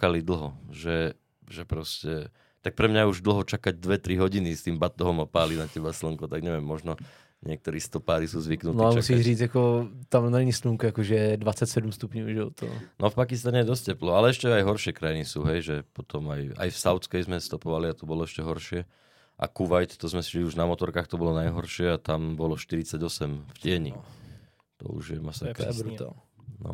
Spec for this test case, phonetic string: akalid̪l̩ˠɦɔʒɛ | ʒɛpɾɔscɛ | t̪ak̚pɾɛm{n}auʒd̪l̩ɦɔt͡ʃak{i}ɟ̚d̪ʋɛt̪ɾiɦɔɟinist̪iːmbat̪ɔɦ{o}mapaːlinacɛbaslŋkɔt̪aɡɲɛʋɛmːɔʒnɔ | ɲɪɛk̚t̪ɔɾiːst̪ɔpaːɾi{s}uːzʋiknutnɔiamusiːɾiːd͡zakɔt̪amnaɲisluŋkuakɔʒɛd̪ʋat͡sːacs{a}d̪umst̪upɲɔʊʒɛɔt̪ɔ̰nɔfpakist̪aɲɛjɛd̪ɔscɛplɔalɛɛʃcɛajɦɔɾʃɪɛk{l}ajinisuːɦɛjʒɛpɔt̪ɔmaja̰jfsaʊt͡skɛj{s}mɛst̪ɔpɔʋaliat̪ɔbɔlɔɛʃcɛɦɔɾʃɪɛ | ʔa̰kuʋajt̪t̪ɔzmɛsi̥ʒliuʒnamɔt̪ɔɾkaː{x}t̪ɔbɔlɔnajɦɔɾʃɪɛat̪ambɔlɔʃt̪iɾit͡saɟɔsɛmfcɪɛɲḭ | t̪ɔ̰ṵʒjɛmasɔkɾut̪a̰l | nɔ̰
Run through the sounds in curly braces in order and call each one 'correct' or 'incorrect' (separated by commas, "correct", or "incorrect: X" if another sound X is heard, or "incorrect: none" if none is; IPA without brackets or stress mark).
incorrect: ɲ, incorrect: a, incorrect: ɔ, correct, incorrect: ɛ, incorrect: ɾ, incorrect: z, correct